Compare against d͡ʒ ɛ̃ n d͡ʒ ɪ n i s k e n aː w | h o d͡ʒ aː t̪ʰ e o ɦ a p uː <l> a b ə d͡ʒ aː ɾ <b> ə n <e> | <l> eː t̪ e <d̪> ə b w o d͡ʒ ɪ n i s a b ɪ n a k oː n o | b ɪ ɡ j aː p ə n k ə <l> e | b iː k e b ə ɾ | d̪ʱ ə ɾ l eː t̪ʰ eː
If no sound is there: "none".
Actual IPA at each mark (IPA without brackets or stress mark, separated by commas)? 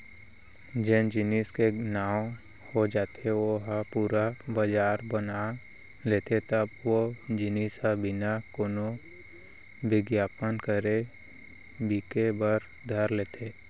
ɾ, b, a, l, t̪, ɾ